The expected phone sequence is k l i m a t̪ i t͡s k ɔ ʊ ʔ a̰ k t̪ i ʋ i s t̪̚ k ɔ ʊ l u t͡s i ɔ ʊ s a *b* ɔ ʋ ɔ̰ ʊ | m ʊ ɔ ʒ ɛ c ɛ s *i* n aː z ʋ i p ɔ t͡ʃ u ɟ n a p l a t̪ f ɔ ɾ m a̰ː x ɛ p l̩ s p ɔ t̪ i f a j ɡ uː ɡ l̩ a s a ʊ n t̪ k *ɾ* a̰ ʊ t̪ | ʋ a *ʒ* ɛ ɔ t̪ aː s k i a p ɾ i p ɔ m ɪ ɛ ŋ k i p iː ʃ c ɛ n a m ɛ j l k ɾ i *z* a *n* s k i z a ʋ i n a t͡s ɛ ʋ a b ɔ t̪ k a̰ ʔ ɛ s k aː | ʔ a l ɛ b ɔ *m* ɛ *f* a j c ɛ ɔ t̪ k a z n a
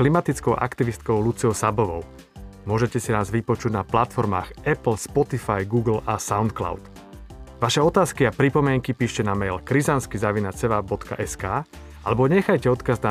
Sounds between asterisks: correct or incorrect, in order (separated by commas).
correct, correct, incorrect, incorrect, correct, correct, incorrect, incorrect